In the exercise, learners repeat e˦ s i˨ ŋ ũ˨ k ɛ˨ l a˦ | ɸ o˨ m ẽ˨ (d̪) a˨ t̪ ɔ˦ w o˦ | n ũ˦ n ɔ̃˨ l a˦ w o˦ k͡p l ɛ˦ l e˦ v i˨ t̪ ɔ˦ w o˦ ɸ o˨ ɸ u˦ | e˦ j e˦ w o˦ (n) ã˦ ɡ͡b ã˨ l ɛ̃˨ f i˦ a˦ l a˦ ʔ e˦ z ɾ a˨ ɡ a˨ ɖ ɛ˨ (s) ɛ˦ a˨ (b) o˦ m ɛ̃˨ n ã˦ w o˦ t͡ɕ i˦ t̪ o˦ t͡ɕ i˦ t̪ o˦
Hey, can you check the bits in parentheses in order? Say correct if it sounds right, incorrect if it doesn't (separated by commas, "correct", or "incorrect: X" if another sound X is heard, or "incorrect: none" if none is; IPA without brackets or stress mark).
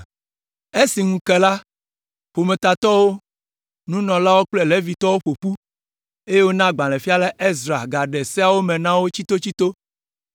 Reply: incorrect: t̪, correct, correct, incorrect: w